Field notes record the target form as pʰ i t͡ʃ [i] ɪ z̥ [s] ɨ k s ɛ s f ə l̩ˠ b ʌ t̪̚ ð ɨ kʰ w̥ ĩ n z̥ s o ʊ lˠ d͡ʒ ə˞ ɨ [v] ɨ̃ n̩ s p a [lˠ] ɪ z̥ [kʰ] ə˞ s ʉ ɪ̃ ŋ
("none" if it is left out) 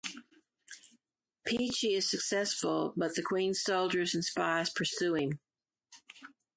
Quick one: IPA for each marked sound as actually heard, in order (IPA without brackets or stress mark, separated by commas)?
i, s, z, none, pʰ